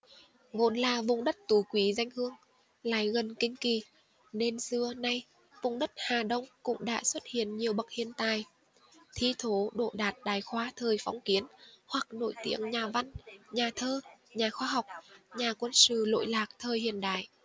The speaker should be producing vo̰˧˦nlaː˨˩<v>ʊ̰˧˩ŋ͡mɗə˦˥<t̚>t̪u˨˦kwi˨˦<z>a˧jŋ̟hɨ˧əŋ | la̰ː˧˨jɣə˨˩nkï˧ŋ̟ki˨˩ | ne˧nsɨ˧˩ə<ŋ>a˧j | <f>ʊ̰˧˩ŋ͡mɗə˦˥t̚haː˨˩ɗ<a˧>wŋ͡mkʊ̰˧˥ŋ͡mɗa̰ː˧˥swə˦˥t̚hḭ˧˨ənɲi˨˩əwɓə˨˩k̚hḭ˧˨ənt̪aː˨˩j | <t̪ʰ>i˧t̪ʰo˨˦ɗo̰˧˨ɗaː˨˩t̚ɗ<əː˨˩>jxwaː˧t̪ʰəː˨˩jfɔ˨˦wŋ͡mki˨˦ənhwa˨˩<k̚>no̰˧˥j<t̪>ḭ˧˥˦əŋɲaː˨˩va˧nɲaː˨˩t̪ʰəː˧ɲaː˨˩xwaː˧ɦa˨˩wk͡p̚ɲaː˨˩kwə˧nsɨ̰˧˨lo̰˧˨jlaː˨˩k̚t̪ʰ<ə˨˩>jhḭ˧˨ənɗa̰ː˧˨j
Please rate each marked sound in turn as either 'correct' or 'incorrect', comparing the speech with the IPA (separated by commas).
correct, correct, correct, incorrect, incorrect, incorrect, correct, incorrect, correct, correct, incorrect